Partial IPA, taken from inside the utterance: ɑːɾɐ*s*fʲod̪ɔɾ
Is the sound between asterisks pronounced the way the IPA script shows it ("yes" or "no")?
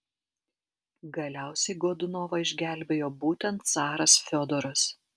yes